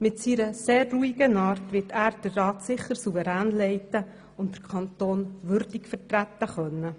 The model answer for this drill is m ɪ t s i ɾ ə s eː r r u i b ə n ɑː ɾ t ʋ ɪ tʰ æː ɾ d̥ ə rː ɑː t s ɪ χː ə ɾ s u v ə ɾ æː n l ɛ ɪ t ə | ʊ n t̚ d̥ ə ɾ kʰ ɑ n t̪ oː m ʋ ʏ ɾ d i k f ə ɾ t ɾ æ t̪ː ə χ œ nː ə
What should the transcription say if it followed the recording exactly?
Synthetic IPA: m ɪ t s i ɾ ə s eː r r u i ɡ ə n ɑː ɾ t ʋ ɪ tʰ æː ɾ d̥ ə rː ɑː t s ɪ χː ə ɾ s u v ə ɾ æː n l ɛ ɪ t ə | ʊ n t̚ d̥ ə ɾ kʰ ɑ n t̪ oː n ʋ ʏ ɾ d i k f ə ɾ t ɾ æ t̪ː ə χ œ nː ə